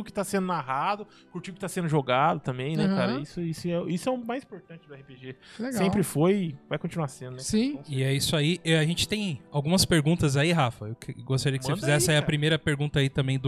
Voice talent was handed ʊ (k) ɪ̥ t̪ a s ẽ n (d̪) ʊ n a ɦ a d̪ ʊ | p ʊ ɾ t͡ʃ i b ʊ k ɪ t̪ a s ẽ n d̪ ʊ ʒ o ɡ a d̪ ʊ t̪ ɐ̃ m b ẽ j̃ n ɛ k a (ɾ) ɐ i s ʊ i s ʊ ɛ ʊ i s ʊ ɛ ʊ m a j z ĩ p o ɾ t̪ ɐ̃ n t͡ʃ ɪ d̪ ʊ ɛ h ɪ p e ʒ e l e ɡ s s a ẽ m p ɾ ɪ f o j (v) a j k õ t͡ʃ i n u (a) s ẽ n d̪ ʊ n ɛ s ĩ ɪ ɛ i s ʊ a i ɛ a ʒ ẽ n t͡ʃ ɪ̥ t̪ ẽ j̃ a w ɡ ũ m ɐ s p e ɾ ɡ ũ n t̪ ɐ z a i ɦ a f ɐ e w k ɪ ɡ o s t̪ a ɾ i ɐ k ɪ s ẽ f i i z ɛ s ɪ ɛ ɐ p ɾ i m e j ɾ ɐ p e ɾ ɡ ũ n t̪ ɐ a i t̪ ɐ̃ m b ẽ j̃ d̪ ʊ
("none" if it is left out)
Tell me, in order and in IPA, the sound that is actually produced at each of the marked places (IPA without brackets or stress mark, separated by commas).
k, d̪, ɾ, v, a